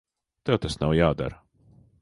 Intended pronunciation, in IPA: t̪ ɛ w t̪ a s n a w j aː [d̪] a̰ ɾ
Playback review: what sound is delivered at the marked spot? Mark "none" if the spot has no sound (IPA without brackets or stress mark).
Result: d̪